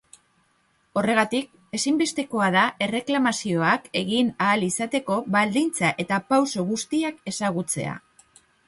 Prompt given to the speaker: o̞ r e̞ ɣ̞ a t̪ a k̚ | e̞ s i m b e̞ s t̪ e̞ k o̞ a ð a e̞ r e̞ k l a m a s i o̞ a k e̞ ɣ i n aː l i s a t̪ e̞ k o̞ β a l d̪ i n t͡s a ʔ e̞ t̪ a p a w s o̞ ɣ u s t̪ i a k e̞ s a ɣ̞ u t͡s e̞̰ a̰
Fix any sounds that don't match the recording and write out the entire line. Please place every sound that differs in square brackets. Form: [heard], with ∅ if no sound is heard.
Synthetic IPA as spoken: o̞ r e̞ ɣ̞ a t̪ [i] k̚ | e̞ s i m b e̞ s t̪ e̞ k o̞ a ð a e̞ r e̞ k l a m a s i o̞ a k e̞ ɣ i n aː l i s a t̪ e̞ k o̞ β a l d̪ i n t͡s a ʔ e̞ t̪ a p a w s o̞ ɣ u s t̪ i a k e̞ s a ɣ̞ u t͡s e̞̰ a̰